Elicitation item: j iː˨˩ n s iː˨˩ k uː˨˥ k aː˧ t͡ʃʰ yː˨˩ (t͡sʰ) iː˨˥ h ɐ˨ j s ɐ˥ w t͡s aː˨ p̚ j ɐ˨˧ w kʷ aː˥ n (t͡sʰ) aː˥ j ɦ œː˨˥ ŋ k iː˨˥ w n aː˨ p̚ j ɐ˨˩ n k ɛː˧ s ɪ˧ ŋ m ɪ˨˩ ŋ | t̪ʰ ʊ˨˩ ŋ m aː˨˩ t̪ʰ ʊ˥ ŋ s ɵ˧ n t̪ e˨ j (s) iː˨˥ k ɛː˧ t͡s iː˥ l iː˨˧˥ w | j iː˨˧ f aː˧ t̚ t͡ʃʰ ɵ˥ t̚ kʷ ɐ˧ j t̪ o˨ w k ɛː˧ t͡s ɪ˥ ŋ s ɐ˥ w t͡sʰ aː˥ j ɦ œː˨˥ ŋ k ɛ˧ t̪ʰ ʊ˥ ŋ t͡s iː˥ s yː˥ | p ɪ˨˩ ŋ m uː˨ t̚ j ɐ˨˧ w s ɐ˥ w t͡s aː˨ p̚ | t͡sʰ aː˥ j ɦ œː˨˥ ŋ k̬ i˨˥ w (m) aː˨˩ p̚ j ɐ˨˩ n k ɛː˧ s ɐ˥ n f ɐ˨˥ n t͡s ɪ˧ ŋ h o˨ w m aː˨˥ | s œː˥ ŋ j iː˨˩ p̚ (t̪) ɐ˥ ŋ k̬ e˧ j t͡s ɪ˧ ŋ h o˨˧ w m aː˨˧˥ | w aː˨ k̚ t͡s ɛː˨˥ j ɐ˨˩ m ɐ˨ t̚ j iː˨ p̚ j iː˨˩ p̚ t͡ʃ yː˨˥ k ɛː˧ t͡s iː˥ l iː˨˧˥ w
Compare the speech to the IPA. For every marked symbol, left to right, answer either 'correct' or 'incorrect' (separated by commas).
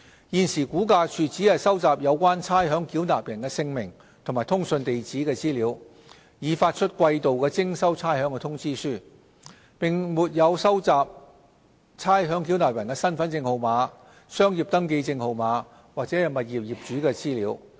incorrect, correct, incorrect, incorrect, correct